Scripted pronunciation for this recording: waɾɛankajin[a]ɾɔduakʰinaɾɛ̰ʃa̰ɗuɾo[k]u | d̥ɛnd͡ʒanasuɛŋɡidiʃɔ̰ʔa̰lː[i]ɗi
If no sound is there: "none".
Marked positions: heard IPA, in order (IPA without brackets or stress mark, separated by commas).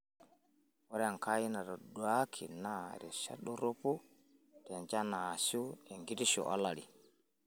a, p, a